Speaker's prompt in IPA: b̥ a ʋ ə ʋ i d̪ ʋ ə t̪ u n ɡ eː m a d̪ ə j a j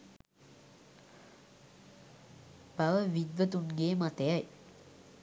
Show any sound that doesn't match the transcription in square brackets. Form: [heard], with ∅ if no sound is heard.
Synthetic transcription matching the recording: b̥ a ʋ ə ʋ i d̪ ʋ ə t̪ u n ɡ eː m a [t̪] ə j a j